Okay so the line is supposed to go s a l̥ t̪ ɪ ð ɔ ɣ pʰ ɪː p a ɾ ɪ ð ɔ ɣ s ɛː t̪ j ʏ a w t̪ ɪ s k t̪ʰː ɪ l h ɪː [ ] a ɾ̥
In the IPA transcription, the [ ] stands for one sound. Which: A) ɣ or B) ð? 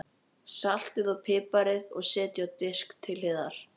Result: B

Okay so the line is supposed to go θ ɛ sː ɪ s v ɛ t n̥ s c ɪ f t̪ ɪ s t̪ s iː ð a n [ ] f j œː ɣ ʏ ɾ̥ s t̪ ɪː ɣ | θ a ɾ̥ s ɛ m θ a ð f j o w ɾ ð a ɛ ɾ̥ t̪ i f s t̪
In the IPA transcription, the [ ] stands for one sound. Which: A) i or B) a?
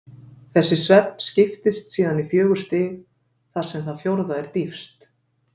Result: A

